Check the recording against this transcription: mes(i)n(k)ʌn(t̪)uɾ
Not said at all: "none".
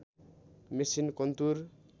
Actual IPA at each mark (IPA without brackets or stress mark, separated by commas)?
i, k, t̪